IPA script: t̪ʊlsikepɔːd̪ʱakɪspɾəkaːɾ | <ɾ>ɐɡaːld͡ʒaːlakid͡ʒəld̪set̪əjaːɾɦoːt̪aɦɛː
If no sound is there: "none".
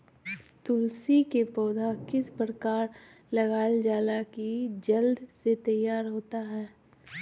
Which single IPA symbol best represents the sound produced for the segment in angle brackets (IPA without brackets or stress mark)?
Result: l